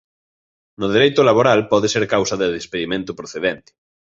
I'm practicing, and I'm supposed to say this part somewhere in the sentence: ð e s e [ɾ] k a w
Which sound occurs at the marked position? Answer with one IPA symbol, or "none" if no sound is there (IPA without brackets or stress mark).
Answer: ɾ